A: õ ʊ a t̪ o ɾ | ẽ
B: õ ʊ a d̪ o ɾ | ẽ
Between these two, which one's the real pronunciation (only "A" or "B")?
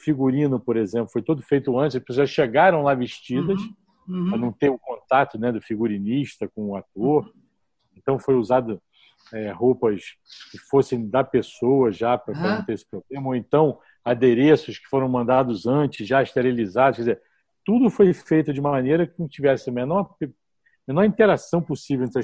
A